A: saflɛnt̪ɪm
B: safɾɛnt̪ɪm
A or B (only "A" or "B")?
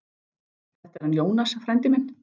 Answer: B